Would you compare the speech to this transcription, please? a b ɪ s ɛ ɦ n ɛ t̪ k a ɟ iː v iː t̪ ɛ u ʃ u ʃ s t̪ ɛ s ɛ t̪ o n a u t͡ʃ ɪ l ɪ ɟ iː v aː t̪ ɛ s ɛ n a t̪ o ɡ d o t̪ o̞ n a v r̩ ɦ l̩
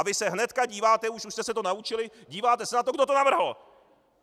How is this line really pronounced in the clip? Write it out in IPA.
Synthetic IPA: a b ɪ s ɛ ɦ n ɛ t̪ k a ɟ iː v aː t̪ ɛ u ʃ u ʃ s t̪ ɛ s ɛ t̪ o n a u t͡ʃ ɪ l ɪ ɟ iː v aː t̪ ɛ s ɛ n a t̪ o ɡ d o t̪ o̞ n a v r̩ ɦ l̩